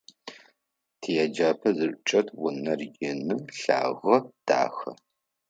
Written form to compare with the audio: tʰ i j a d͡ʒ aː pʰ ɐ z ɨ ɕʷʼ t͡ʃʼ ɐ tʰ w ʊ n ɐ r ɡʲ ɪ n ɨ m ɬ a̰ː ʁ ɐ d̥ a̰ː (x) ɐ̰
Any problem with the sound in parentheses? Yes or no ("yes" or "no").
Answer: no